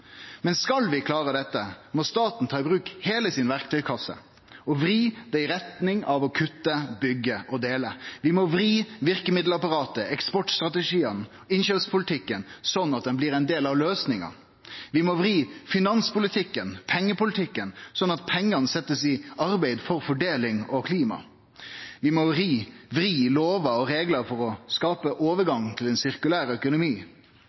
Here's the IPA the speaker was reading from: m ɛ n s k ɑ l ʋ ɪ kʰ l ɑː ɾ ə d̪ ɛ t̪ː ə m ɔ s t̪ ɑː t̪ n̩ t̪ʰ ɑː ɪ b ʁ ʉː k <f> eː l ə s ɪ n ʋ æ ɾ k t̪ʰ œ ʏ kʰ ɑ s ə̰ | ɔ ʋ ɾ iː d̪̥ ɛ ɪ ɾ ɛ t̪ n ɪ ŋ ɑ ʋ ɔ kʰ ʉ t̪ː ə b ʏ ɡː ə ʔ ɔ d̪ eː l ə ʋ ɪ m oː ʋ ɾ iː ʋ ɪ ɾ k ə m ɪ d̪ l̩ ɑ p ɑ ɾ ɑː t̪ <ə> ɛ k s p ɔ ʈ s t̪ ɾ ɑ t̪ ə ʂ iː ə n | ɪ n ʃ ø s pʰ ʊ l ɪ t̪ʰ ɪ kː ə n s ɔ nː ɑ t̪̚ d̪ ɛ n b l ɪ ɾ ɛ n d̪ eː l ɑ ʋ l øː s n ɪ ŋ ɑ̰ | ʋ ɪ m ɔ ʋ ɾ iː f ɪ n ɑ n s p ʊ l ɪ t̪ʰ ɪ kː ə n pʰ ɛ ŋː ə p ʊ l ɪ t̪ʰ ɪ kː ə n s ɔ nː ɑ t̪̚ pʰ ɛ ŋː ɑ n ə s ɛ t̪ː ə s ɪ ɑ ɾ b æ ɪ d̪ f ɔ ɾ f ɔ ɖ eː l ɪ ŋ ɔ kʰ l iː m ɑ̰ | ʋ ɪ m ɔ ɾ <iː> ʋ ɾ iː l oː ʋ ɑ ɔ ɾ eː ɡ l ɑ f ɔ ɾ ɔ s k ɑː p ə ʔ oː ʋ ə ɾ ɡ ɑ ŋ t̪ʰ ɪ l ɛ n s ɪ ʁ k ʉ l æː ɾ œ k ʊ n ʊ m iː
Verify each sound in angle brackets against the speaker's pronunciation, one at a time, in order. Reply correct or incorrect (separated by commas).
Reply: incorrect, correct, correct